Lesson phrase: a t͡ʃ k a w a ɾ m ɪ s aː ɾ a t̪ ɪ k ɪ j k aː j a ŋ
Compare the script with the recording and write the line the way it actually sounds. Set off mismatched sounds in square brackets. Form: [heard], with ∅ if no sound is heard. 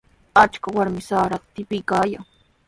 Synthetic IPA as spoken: a t͡ʃ k a w a ɾ m ɪ s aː ɾ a t̪ ɪ [p] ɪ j k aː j a ŋ